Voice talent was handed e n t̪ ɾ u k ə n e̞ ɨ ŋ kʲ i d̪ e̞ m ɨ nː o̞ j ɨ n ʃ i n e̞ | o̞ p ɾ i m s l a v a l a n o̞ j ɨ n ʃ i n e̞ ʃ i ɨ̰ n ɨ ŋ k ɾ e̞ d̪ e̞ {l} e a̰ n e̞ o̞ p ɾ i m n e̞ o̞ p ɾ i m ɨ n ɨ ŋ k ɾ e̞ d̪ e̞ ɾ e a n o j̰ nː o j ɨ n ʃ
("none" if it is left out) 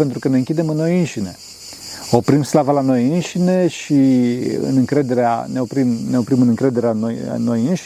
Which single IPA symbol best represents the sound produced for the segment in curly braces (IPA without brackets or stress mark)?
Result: ɾ